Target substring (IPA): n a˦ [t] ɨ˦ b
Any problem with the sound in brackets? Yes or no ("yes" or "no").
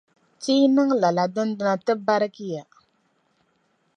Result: no